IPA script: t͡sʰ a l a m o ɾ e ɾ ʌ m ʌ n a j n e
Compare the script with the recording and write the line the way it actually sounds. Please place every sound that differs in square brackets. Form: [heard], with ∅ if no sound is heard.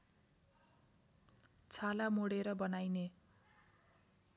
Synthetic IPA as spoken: t͡sʰ a l a m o [ɽ] e ɾ ʌ [b] ʌ n a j n e